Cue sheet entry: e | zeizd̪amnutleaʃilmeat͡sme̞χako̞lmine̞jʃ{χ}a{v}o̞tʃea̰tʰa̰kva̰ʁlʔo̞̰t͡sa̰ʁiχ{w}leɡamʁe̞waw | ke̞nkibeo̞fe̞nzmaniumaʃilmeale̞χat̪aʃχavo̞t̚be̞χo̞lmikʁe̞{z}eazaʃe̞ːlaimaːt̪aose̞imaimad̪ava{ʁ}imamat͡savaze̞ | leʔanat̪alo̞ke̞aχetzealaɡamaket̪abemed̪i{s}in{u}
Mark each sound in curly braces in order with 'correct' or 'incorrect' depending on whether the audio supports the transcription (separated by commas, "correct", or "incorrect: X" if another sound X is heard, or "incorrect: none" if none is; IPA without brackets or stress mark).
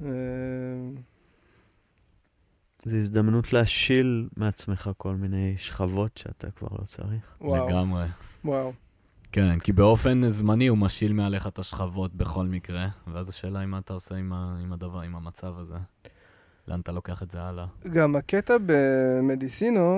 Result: correct, correct, correct, incorrect: v, correct, correct, incorrect: o